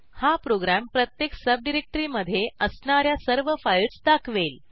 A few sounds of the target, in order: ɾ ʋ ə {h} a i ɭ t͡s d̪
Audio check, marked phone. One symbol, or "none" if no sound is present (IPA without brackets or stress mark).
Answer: f